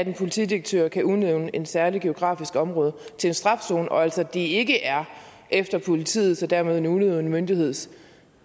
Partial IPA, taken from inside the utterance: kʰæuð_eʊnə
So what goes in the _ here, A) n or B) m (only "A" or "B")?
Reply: A